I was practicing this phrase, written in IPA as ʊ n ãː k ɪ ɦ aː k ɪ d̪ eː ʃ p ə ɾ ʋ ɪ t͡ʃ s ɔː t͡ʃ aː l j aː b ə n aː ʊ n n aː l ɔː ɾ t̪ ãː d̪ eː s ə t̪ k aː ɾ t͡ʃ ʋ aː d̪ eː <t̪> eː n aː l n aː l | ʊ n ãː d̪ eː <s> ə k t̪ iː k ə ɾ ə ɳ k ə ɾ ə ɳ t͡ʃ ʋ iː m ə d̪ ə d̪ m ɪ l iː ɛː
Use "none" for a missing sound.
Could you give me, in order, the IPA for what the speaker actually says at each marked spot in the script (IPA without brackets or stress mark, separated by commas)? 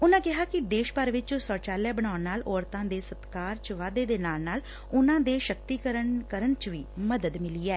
d̪, ʃ